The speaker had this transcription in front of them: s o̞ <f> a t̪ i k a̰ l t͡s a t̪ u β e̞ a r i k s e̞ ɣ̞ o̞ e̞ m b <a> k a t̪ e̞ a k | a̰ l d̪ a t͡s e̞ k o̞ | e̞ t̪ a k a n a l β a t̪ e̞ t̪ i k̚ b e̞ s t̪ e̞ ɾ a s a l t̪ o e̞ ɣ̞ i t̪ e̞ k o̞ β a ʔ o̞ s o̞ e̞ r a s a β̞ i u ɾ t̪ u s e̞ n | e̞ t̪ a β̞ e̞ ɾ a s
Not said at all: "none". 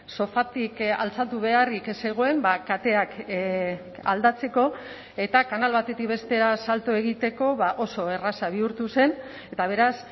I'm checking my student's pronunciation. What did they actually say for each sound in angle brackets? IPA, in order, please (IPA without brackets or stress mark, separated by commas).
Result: f, a